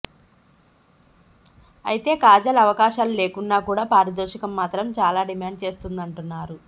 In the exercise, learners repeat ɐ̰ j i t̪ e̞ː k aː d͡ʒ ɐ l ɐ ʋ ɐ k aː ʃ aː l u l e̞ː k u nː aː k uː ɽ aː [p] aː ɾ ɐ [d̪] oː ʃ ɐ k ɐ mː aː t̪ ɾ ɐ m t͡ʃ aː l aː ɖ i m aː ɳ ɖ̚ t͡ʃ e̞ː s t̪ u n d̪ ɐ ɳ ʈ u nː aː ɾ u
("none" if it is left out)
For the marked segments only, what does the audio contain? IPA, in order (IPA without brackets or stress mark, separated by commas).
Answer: p, d̪